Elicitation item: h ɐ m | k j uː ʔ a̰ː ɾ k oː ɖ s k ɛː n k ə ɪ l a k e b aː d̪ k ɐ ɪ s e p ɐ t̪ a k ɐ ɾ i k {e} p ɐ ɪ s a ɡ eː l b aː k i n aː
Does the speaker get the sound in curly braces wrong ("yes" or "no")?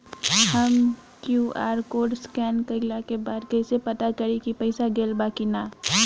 yes